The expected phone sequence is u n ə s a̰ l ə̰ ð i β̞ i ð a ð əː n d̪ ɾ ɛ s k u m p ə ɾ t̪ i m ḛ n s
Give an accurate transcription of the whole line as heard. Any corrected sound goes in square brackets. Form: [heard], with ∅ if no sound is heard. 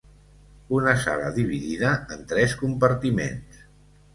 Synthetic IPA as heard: u n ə s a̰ l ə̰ ð i β̞ i ð [i] ð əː n [t̪] ɾ ɛ s k u m p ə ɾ t̪ i m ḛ n s